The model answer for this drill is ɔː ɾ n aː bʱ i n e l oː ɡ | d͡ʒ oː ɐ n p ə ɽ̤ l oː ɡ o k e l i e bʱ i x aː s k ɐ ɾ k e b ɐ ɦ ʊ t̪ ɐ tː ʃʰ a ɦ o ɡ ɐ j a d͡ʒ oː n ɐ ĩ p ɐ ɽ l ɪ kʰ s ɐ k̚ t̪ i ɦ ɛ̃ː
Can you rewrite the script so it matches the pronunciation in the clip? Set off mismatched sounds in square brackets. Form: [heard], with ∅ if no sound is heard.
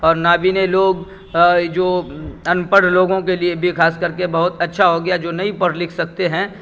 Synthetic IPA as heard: ɔː ɾ n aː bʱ i n e l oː ɡ | d͡ʒ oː ɐ n p ə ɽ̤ l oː ɡ [õ] k e l i e bʱ i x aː s k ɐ ɾ k e b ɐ ɦ ʊ t̪ ɐ tː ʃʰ a ɦ o ɡ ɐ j a d͡ʒ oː n ɐ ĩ p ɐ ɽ l ɪ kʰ s ɐ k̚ t̪ [e] ɦ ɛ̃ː